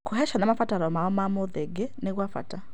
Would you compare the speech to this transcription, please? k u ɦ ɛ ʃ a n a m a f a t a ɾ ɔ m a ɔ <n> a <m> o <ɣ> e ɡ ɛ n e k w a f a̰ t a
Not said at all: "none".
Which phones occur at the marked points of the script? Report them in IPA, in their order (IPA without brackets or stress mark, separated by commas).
m, m, ð